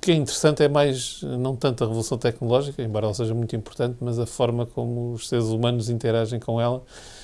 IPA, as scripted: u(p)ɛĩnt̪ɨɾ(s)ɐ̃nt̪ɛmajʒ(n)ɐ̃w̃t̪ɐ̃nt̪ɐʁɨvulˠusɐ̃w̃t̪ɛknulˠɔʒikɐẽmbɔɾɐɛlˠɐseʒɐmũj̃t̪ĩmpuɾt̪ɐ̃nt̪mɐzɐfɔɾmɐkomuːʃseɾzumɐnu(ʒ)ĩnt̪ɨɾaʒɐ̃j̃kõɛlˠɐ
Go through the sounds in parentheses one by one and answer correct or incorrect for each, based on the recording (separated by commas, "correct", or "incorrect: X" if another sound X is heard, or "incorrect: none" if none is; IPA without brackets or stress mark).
incorrect: k, correct, correct, incorrect: z